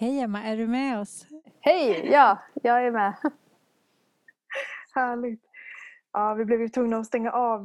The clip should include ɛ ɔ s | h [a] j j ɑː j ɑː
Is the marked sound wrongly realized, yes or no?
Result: yes